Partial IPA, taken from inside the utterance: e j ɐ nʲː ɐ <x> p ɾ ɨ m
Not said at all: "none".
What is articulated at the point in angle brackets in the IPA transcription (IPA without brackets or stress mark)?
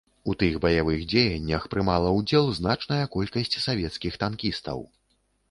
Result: x